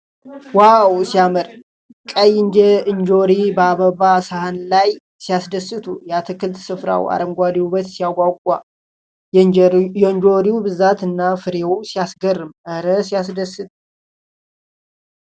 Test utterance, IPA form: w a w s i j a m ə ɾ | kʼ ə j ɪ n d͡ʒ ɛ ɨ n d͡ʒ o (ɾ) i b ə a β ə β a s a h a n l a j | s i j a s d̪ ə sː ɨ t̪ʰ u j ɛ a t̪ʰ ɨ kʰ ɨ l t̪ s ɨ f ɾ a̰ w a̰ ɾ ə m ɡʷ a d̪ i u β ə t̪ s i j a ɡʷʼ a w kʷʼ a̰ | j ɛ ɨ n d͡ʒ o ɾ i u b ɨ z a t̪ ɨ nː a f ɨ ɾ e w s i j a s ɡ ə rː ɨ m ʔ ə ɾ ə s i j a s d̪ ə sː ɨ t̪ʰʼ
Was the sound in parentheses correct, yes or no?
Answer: yes